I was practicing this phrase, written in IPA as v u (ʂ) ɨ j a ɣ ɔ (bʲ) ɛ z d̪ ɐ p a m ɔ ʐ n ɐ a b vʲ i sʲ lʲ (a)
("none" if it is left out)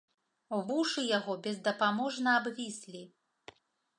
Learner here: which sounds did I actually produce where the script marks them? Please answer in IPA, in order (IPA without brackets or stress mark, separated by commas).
ʂ, bʲ, i